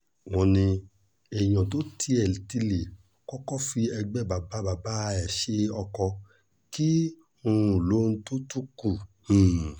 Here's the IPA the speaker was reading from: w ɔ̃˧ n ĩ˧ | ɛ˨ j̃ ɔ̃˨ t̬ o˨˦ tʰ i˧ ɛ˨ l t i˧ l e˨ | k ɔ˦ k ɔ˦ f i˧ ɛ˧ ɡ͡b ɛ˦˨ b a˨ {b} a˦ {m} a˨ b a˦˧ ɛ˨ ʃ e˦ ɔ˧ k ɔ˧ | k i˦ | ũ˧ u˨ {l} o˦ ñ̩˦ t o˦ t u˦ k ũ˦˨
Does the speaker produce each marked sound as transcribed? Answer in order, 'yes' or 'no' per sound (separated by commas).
yes, no, yes